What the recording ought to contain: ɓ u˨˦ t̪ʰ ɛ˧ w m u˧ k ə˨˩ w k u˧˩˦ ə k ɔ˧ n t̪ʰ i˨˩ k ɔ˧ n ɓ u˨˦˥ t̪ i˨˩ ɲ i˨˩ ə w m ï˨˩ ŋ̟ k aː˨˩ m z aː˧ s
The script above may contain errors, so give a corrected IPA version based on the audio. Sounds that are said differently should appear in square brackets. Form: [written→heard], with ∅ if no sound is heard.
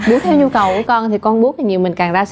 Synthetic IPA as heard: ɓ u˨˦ t̪ʰ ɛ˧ w [m→ɲ] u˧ k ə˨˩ w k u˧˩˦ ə k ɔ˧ n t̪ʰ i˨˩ k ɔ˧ n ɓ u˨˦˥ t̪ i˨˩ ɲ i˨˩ ə w m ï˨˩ ŋ̟ k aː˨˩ [m→ŋ] z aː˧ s